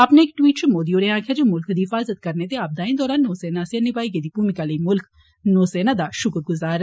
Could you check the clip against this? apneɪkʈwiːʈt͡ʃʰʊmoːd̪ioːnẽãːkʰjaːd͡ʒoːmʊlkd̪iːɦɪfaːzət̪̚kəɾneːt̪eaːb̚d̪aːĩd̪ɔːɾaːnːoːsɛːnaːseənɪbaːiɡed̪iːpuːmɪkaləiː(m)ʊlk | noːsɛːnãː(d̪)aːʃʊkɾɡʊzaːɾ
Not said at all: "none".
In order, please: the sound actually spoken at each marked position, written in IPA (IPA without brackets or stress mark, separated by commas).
m, d̪